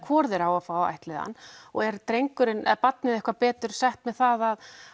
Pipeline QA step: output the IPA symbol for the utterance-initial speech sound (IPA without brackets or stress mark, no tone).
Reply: kʰ